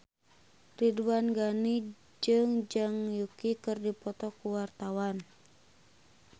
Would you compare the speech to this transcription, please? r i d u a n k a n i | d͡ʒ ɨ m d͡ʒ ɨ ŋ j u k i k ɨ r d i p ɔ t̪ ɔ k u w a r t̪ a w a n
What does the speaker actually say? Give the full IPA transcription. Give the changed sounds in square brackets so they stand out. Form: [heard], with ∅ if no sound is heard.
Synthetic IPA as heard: r i d u a n [ɡ] a n i | d͡ʒ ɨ [ŋ] d͡ʒ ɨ ŋ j u k i k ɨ r d i p ɔ t̪ ɔ k u w a r t̪ a w a n